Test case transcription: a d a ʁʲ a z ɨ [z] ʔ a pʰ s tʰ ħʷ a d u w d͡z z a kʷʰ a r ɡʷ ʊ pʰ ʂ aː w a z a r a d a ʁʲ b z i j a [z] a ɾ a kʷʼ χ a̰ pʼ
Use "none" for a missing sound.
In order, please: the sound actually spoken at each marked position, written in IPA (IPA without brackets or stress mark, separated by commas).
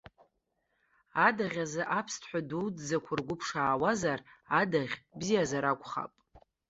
none, z